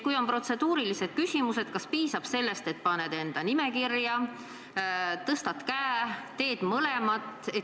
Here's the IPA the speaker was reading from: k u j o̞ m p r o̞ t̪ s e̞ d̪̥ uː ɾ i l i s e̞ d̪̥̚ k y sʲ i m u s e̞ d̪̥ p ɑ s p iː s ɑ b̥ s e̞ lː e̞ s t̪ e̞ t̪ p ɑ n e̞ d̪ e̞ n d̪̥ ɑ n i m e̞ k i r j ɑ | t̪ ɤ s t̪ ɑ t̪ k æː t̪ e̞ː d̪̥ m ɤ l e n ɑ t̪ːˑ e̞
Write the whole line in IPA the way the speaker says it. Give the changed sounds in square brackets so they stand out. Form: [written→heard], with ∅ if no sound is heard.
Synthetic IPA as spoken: k u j o̞ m p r o̞ t̪ s e̞ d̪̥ uː ɾ i l i s e̞ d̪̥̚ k y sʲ i m u s e̞ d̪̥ [p→k] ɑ s p iː s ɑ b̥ s e̞ lː e̞ s t̪ e̞ t̪ p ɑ n e̞ d̪ e̞ n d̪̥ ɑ n i m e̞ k i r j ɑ | t̪ ɤ s t̪ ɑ t̪ k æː t̪ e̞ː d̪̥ m ɤ l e [n→m] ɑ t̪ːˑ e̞